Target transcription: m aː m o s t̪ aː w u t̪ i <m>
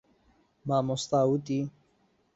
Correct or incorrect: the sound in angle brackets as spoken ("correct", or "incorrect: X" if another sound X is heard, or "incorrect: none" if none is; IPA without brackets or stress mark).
incorrect: none